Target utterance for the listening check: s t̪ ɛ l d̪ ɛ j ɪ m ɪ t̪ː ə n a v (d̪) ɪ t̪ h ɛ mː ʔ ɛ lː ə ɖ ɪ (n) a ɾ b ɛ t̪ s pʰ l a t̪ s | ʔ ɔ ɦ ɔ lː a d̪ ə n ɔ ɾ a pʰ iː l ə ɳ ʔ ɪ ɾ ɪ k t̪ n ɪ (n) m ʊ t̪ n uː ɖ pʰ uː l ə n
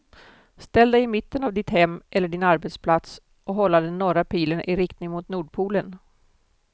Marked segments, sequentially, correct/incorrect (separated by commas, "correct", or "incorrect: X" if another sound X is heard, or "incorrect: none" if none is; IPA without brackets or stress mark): correct, correct, incorrect: ŋ